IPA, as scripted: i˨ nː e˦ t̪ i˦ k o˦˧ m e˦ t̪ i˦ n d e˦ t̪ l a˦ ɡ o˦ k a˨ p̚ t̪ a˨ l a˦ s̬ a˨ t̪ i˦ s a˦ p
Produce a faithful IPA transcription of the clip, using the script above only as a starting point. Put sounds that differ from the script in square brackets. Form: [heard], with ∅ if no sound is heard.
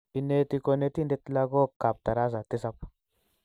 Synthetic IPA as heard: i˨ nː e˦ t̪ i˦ k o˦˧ [n] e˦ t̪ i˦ n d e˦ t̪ l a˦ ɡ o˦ k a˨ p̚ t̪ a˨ [ɾ] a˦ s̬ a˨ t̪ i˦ s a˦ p